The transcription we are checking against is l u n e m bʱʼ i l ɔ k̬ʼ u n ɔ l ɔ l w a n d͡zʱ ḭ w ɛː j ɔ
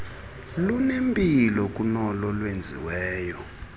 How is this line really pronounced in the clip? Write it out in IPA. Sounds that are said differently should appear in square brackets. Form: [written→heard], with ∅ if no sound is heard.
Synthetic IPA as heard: l u n e m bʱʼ i l ɔ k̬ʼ u n ɔ l ɔ l w [a→e] n d͡zʱ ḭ w ɛː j ɔ